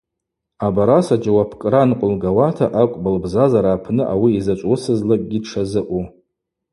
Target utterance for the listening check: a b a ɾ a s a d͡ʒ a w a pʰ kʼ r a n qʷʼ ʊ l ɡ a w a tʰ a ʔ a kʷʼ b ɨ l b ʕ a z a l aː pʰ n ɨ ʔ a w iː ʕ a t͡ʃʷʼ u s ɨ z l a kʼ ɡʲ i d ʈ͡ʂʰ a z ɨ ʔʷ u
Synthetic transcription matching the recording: a b a ɾ a s a d͡ʒ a w a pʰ kʼ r a n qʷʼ ʊ l ɡ a w a tʰ a ʔ a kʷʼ b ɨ l b z a z a ɾ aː pʰ n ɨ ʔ a w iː z a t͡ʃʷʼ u s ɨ z l a kʼ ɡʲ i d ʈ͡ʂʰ a z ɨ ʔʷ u